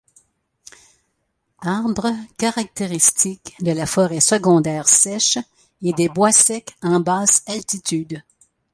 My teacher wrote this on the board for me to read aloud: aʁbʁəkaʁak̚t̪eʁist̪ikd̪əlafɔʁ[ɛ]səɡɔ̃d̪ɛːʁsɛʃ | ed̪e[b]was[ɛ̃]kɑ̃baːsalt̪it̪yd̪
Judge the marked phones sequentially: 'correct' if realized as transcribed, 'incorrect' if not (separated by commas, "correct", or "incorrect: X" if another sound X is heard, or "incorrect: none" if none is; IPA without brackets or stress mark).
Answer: correct, correct, incorrect: ɛ